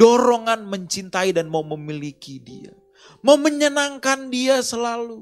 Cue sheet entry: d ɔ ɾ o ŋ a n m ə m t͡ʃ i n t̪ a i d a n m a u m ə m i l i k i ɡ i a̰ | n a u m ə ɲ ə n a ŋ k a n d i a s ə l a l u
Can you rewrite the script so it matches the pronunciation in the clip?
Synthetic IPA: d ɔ ɾ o ŋ a n m ə ɲ t͡ʃ i n t̪ a i d a n m a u m ə m i l i k i d i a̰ | m a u m ə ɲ ə n a ŋ k a n d i a s ə l a l u